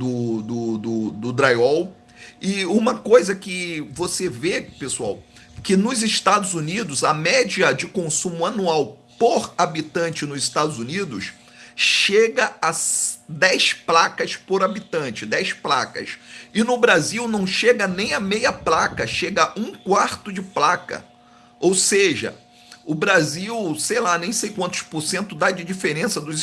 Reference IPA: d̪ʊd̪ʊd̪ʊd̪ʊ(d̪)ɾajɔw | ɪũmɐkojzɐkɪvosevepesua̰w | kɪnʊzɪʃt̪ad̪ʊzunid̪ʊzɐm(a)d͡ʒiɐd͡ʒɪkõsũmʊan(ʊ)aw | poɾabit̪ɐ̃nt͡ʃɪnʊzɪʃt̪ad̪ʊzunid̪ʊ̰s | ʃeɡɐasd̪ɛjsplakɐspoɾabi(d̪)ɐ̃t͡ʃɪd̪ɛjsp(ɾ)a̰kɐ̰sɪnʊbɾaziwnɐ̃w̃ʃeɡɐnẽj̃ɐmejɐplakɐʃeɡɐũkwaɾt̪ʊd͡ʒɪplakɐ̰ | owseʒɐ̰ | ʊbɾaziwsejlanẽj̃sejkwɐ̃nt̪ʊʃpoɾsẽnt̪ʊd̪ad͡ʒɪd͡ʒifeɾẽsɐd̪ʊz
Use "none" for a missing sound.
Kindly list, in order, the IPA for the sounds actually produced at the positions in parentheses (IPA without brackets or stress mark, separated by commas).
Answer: d̪, ɛ, u, t̪, l